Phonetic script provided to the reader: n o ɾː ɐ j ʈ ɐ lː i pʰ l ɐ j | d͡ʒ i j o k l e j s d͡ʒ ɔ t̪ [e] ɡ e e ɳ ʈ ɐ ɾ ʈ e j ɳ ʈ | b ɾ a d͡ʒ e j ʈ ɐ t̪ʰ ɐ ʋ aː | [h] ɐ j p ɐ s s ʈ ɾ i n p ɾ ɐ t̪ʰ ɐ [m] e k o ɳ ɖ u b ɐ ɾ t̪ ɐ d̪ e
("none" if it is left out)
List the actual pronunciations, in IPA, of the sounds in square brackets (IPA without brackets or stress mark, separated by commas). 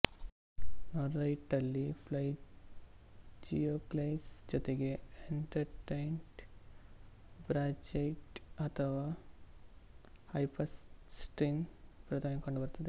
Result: e, h, m